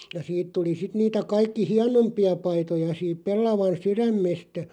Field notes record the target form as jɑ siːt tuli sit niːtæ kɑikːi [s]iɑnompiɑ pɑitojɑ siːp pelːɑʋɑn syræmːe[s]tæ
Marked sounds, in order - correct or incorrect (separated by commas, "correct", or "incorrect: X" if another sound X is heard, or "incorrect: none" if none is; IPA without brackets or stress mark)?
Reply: incorrect: h, correct